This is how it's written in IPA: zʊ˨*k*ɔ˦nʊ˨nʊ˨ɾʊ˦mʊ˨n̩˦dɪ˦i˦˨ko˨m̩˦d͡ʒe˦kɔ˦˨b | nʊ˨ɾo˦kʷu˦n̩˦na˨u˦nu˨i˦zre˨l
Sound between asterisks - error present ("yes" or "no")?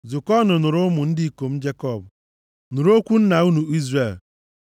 no